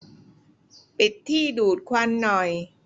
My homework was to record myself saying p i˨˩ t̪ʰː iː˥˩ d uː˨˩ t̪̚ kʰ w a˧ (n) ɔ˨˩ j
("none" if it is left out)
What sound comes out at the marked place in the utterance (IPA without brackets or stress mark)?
nː